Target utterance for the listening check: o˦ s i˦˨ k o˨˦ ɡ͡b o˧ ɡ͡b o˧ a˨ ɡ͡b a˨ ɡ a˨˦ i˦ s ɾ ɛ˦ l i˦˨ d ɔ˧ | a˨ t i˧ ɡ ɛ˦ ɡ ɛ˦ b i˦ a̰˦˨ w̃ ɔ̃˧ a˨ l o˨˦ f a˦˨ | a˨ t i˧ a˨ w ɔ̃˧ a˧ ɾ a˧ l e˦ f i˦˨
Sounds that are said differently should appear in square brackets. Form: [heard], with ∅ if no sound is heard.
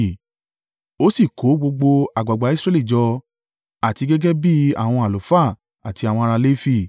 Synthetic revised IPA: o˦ s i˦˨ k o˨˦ ɡ͡b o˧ ɡ͡b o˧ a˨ ɡ͡b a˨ [ɡ͡b] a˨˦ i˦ s ɾ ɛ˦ l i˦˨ [d͡ʒ] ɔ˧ | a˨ t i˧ ɡ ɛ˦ ɡ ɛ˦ b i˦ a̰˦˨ w̃ ɔ̃˧ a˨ l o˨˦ f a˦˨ | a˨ t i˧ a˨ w ɔ̃˧ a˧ ɾ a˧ l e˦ f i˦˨

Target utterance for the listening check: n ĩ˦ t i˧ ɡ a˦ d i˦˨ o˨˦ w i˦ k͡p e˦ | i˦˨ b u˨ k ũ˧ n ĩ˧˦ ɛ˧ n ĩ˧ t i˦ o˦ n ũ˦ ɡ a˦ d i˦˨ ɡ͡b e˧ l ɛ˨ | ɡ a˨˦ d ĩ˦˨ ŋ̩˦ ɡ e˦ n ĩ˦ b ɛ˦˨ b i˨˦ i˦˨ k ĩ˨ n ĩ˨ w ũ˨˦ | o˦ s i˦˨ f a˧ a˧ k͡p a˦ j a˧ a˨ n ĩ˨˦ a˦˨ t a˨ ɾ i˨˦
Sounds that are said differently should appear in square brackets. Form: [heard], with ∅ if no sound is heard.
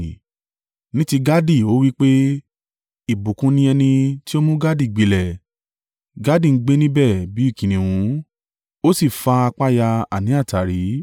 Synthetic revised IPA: n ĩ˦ t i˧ ɡ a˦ d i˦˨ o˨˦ w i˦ k͡p e˦ | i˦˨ b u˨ k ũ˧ n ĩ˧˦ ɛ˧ n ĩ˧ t i˦ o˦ [m] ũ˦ ɡ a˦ d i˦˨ ɡ͡b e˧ l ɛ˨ | ɡ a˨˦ d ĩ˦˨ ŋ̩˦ [ɡ͡b] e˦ n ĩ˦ b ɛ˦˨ b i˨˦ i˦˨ k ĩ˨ n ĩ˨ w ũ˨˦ | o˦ s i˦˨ f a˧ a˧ k͡p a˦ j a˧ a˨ n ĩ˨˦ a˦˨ t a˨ ɾ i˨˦

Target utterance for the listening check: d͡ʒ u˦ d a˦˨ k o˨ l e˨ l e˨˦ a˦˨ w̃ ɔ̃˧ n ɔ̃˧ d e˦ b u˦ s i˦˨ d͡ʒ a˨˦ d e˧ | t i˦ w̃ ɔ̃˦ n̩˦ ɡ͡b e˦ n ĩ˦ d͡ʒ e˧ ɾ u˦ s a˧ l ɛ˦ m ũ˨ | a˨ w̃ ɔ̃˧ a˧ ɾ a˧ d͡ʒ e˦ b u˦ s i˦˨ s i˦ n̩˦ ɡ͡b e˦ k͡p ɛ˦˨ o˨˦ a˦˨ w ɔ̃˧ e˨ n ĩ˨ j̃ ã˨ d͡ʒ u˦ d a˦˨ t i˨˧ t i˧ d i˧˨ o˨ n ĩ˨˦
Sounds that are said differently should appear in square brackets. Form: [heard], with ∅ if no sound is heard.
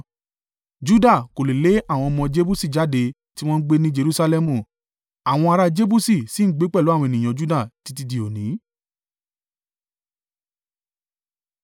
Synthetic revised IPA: d͡ʒ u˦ d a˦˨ k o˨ l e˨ l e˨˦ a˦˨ w̃ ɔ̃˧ [m] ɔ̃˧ [d͡ʒ] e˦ b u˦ s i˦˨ d͡ʒ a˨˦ d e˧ | t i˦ w̃ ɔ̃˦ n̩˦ ɡ͡b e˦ n ĩ˦ d͡ʒ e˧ ɾ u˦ s a˧ l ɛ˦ m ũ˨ | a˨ w̃ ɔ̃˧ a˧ ɾ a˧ d͡ʒ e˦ b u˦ s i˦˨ s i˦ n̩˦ ɡ͡b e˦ k͡p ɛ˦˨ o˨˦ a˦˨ w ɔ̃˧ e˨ n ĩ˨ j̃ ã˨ d͡ʒ u˦ d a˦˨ t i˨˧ t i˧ d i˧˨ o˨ n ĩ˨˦

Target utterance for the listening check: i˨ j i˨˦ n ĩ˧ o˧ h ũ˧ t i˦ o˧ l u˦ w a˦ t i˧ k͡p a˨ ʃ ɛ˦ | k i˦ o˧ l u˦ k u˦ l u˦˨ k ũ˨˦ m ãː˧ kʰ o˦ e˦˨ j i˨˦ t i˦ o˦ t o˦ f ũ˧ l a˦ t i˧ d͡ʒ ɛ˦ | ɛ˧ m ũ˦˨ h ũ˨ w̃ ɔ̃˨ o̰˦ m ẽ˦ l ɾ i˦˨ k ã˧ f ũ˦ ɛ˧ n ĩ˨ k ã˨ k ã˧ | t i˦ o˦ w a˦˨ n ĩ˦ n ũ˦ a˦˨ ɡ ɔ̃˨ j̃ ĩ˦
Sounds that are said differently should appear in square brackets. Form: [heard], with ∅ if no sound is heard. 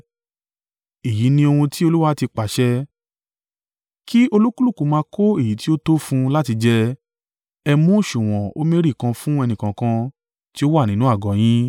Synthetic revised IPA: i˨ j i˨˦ n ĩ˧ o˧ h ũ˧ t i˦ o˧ l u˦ w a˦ t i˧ k͡p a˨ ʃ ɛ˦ | k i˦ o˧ l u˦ k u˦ l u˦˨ k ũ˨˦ m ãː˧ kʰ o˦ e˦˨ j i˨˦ t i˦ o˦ t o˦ f ũ˧ l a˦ t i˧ d͡ʒ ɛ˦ | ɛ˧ m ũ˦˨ [ʃ] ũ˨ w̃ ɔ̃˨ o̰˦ m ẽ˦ [∅] ɾ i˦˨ k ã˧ f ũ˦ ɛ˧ n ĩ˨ k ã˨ k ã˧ | t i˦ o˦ w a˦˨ n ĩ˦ n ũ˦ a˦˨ ɡ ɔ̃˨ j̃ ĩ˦

